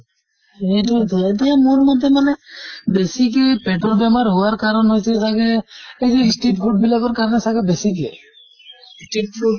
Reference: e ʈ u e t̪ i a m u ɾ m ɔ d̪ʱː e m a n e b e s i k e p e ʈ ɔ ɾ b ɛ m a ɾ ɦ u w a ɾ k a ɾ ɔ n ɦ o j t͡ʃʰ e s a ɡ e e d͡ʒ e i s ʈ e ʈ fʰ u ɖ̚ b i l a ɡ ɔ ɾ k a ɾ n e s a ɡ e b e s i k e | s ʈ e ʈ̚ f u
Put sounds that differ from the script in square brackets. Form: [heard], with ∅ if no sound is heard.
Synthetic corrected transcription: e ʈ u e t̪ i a m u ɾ m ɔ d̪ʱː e m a n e b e s i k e p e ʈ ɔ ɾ b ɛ m a ɾ ɦ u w a ɾ k a ɾ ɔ n ɦ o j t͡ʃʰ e s a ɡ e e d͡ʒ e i s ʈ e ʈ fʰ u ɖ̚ b i l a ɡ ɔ ɾ k a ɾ n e s a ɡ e b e s i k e | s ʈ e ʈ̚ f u